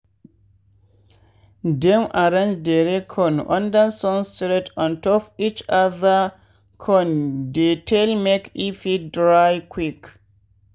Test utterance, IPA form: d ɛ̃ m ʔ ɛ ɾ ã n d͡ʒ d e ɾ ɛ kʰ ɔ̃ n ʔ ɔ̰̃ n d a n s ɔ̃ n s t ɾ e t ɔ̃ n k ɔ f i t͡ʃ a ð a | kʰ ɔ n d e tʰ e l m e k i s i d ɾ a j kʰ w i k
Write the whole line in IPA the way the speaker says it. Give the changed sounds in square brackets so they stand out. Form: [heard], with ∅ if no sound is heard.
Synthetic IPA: d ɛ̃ m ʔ [a] ɾ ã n d͡ʒ d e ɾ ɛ kʰ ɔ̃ n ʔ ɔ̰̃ n d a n s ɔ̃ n s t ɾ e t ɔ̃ n [t] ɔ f i t͡ʃ a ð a | kʰ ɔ n d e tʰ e l m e k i [f] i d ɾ a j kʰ w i k